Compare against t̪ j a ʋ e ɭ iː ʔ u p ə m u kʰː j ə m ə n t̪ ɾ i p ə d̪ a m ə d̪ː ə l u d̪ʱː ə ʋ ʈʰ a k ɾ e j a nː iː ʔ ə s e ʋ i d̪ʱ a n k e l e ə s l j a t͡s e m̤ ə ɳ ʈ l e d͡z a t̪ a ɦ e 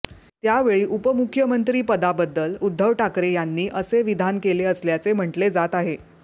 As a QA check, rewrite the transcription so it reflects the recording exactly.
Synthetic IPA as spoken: t̪ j a ʋ e ɭ iː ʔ u p ə m u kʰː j ə m ə n t̪ ɾ iː p ə d̪ a b ə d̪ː ə l u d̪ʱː ə ʋ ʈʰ a k ɾ e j a nː iː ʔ ə s e ʋ i d̪ʱ a n k e l e ə s l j a t͡s e m̤ ə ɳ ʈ l e d͡z a t̪ a ɦ e